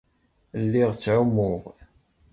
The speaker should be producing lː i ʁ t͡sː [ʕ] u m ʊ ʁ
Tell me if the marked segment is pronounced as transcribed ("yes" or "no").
yes